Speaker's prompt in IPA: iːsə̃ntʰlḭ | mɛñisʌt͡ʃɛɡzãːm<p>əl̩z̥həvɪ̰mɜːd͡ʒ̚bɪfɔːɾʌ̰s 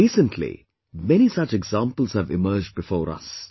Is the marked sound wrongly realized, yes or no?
no